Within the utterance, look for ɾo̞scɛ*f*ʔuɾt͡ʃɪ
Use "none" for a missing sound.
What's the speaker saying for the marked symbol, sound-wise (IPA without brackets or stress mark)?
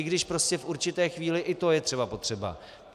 f